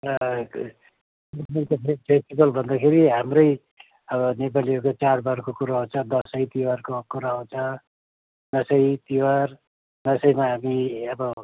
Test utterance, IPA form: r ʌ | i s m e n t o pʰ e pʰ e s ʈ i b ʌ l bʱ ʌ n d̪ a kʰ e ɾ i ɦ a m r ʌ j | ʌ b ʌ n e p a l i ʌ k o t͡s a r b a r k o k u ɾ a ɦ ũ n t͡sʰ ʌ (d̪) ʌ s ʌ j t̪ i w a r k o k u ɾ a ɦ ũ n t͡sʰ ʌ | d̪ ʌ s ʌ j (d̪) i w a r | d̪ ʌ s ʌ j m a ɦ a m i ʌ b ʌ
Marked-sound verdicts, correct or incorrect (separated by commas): correct, incorrect